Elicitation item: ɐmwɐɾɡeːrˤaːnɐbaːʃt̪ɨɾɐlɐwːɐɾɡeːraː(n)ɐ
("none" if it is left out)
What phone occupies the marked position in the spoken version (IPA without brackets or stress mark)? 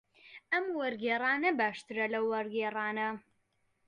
n